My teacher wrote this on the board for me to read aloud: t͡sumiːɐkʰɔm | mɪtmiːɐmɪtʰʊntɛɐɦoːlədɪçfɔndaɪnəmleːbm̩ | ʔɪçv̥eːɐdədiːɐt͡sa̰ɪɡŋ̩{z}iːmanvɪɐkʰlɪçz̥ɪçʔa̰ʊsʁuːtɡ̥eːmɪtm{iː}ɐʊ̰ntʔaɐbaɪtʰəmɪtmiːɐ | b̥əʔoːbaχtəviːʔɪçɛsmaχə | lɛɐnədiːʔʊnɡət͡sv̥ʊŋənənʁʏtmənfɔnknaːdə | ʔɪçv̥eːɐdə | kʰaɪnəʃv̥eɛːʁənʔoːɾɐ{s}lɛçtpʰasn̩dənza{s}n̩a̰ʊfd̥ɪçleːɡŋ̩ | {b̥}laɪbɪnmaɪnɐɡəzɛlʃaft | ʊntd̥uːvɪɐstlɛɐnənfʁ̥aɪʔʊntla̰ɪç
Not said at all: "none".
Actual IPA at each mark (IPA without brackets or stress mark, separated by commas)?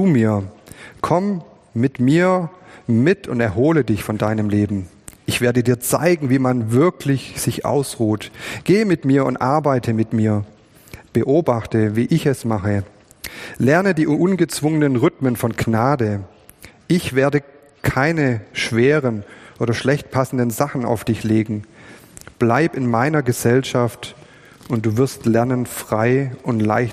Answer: v, iː, ʃ, χ, b̥